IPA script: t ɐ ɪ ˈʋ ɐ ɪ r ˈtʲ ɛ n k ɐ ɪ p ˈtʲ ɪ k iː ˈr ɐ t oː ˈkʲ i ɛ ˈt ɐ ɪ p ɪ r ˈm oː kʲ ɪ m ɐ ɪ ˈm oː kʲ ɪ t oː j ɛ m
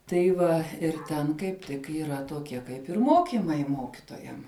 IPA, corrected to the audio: t ɐ ɪ ˈʋ ɐ ɪ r ˈtʲ ɛ n k ɐ ɪ p ˈtʲ ɪ k iː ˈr ɐ t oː ˈkʲ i ɛ ˈk ɐ ɪ p ɪ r ˈm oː kʲ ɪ m ɐ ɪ ˈm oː kʲ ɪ t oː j ɛ m